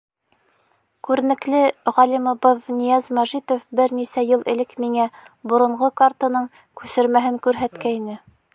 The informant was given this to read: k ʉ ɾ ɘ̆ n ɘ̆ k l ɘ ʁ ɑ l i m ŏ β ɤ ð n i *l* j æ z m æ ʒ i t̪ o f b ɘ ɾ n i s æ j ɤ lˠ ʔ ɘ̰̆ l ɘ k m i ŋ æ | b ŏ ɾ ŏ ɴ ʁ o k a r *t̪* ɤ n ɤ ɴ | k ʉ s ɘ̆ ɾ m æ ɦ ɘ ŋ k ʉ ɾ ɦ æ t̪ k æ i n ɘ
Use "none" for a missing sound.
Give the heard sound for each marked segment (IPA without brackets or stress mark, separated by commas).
none, t̪